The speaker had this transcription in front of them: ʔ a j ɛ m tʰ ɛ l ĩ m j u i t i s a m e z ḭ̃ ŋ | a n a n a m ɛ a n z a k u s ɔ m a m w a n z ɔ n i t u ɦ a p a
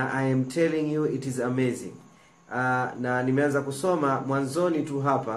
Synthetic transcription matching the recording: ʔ a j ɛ m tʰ ɛ l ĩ ŋ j u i t i z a m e z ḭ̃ ŋ | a n a n i m ɛ a n z a k u s ɔ m a m w a n z ɔ n i t u ɦ a p a